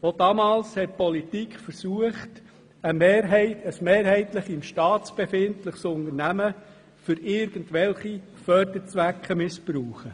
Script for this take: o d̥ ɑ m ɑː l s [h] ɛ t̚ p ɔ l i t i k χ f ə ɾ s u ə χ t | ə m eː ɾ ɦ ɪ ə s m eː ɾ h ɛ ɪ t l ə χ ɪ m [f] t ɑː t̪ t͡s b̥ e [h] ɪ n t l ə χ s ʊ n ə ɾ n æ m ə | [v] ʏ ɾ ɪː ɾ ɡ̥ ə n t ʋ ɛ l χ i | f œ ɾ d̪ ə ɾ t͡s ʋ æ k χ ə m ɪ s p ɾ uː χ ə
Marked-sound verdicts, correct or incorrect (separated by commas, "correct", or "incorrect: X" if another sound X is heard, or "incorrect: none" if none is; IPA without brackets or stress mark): correct, incorrect: ʃ, incorrect: f, incorrect: f